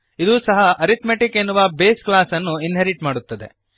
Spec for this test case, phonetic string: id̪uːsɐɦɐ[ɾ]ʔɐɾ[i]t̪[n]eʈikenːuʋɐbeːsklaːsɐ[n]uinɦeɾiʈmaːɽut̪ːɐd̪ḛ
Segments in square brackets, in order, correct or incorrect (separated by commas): incorrect, correct, incorrect, incorrect